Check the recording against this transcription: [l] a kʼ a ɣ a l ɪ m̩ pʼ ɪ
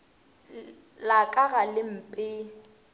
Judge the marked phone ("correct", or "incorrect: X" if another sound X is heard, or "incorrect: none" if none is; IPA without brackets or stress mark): correct